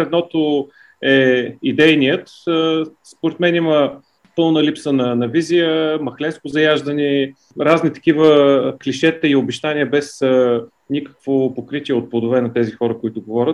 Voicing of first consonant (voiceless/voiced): voiced